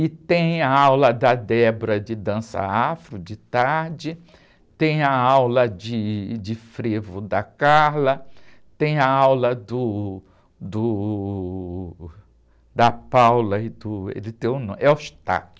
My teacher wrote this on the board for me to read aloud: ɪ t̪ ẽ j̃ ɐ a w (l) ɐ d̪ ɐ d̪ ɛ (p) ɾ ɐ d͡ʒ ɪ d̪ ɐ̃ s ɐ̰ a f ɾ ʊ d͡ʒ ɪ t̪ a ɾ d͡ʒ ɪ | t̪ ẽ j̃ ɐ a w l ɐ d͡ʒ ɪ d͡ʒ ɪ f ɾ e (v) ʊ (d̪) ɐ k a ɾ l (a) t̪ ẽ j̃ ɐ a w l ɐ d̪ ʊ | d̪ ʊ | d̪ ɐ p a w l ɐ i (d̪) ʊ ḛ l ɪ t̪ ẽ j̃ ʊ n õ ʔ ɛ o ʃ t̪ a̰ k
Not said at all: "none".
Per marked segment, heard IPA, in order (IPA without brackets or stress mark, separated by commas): l, b, v, d̪, ɐ, d̪